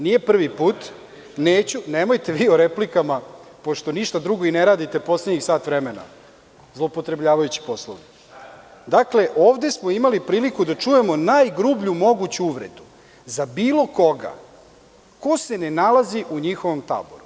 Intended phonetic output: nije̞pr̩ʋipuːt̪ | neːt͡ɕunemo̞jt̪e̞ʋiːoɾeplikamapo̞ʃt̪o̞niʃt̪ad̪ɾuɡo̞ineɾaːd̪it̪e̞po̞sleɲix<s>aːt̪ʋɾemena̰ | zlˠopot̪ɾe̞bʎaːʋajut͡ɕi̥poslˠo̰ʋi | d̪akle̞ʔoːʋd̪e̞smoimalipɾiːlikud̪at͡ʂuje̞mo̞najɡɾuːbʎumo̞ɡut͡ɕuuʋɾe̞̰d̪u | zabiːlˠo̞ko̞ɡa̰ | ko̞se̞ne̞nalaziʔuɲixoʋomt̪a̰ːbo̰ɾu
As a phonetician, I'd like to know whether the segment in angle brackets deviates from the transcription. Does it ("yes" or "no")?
no